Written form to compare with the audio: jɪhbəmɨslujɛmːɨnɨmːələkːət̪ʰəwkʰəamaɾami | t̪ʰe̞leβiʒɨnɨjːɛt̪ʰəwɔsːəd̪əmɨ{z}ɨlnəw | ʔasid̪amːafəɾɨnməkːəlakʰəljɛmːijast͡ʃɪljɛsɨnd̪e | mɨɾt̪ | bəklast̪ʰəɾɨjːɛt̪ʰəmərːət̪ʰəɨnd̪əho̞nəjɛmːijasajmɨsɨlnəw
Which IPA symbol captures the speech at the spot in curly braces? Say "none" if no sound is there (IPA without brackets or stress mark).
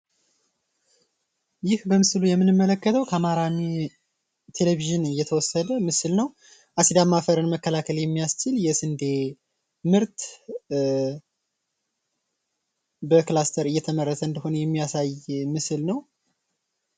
s